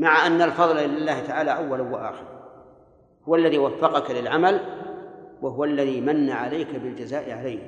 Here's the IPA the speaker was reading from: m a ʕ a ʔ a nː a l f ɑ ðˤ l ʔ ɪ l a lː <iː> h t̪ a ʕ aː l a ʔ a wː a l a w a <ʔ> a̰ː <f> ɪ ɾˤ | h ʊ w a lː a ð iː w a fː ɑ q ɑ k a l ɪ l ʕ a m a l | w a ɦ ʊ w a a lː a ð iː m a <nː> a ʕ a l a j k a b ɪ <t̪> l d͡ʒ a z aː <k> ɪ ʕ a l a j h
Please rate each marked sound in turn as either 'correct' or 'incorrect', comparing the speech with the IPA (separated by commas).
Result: incorrect, correct, incorrect, correct, incorrect, incorrect